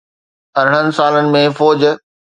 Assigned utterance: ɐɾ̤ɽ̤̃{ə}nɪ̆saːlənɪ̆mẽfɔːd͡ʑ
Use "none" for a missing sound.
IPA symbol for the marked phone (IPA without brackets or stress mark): ə